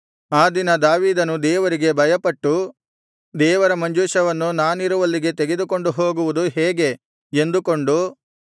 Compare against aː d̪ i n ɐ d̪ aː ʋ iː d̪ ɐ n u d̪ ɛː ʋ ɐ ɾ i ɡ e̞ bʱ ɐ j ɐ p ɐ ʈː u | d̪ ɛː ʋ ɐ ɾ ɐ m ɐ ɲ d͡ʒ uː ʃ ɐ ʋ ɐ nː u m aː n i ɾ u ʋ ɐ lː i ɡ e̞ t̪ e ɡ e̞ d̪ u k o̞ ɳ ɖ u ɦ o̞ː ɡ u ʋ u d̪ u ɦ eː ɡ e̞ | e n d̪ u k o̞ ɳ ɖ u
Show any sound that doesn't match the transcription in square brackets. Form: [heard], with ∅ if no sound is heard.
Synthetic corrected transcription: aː d̪ i n ɐ d̪ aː ʋ iː d̪ ɐ n u d̪ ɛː ʋ ɐ ɾ i ɡ e̞ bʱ ɐ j ɐ p ɐ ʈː u | d̪ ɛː ʋ ɐ ɾ ɐ m ɐ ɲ d͡ʒ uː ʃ ɐ ʋ ɐ nː u [n] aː n i ɾ u ʋ ɐ lː i ɡ e̞ t̪ e ɡ e̞ d̪ u k o̞ ɳ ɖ u ɦ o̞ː ɡ u ʋ u d̪ u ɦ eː ɡ e̞ | e n d̪ u k o̞ ɳ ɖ u